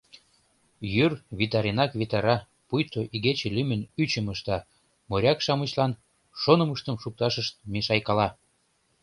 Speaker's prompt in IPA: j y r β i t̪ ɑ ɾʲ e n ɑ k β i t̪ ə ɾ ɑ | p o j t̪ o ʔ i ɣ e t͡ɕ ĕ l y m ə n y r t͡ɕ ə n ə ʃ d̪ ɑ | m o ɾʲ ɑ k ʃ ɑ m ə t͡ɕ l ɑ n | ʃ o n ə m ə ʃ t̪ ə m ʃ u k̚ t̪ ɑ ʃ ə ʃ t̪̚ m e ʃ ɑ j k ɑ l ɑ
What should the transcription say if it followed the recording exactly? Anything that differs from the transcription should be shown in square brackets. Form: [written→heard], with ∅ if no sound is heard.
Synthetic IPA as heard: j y r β i t̪ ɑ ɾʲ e n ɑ k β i t̪ [ə→ɑ] ɾ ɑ | p [o→u] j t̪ o ʔ i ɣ e t͡ɕ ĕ l y m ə n y [r→∅] t͡ɕ ə [n→m] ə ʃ [d̪→t̪] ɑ | m o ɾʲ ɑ k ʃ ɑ m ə t͡ɕ l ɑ n | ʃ o n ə m ə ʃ t̪ ə m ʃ u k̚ t̪ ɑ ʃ ə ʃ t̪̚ m e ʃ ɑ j k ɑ l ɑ

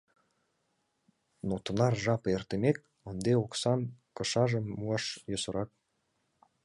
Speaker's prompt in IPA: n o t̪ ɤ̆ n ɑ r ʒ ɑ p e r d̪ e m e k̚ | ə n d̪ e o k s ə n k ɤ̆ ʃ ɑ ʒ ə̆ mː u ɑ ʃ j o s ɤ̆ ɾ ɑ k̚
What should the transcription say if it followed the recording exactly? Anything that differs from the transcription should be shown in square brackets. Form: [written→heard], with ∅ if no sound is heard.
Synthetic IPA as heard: n o t̪ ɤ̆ n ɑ r ʒ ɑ p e r [d̪→t̪] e m e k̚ | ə n d̪ e o k s [ə→ɑ] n k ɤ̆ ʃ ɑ ʒ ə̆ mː u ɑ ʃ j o s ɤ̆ ɾ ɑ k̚

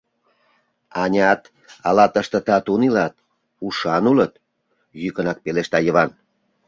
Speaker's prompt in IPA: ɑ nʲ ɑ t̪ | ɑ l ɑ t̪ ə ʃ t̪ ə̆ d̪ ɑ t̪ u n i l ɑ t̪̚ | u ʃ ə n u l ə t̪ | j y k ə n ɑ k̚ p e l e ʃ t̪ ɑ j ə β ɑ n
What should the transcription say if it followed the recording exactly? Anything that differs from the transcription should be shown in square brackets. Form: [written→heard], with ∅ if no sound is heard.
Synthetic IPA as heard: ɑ nʲ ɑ t̪ | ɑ l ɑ t̪ ə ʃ t̪ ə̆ [d̪→t̪] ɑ t̪ u n i l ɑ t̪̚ | u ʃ [ə→ɑ] n u l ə t̪ | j y k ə n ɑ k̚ p e l e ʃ t̪ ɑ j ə β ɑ n

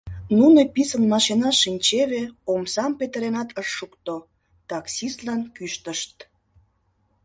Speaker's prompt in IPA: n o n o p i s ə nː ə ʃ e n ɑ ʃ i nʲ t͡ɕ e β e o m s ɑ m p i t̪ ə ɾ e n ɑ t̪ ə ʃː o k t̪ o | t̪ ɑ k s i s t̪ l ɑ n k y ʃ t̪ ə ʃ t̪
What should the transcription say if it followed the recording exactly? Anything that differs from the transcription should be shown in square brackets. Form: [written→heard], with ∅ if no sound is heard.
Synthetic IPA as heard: n [o→u] n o p i s ə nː [ə→ɑ] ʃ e n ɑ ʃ i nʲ t͡ɕ e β e o m s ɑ m p [i→e] t̪ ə ɾ e n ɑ t̪ ə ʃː [o→u] k t̪ o | t̪ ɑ k s i s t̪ l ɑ n k y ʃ t̪ ə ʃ t̪

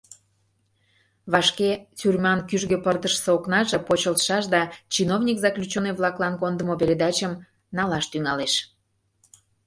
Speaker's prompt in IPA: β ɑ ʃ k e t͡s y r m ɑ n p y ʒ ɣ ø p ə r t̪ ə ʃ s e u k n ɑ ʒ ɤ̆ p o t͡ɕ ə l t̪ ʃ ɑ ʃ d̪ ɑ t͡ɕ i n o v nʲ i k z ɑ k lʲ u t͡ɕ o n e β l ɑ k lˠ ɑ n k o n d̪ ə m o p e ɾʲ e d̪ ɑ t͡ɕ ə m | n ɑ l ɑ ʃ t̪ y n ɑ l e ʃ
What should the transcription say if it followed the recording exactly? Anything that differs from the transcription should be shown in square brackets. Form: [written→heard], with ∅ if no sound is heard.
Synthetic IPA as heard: β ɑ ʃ k e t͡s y r m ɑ n [p→k] y ʒ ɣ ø p ə r t̪ ə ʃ s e [u→o] k n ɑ ʒ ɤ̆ p o t͡ɕ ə l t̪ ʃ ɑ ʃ d̪ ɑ t͡ɕ i n o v nʲ i k z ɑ k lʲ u t͡ɕ o n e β l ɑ k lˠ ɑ n k o n d̪ ə m o p e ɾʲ e d̪ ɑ t͡ɕ ə m | n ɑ l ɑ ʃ t̪ y [n→ŋ] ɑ l e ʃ

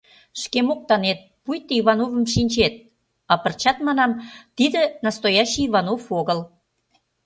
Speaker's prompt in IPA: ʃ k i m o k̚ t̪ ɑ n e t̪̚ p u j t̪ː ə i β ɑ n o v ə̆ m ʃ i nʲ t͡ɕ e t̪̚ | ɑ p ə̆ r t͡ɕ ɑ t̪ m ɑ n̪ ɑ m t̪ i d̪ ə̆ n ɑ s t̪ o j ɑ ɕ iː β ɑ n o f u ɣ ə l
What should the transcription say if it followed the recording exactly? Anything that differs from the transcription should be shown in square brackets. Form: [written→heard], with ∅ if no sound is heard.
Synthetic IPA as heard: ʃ k [i→e] m o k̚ t̪ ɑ n e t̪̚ p u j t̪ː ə i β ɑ n o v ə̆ m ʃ i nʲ t͡ɕ e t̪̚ | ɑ p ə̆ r t͡ɕ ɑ t̪ m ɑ n̪ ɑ m t̪ i d̪ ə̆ n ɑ s t̪ o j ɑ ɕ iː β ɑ n o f [u→o] ɣ ə l

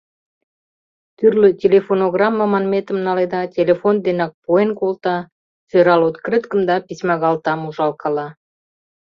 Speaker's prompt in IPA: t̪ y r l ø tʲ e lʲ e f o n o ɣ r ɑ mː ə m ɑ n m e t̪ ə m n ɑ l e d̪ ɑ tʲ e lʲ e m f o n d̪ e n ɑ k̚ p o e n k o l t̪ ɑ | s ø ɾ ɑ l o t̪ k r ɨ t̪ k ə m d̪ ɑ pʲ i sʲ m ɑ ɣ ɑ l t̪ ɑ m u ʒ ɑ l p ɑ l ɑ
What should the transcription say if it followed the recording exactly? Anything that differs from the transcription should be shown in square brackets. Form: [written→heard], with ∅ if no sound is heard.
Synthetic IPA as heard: t̪ y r l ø tʲ e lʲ e f o n o ɣ r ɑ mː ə m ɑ n m e t̪ ə m n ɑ l e d̪ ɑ tʲ e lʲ e [m→∅] f o n d̪ e n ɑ k̚ p o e n k o l t̪ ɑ | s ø ɾ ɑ l o t̪ k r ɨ t̪ k ə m d̪ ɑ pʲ i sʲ m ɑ ɣ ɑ l t̪ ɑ m u ʒ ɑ l [p→k] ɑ l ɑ

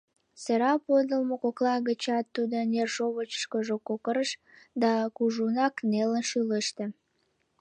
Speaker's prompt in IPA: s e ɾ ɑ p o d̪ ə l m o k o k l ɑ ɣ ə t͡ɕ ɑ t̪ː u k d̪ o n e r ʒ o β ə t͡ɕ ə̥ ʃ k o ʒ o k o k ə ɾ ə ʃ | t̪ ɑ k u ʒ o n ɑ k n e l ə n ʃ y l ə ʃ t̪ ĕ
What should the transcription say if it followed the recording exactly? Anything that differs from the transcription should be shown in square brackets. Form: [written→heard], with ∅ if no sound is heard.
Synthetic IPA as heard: s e ɾ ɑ p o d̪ ə l m o k o k l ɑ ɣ ə t͡ɕ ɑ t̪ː u [k→∅] d̪ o n e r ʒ o β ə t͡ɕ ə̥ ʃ k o ʒ o k o k ə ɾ ə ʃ | [t̪→d̪] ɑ k u ʒ [o→u] n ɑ k n e l ə n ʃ y l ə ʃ t̪ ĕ

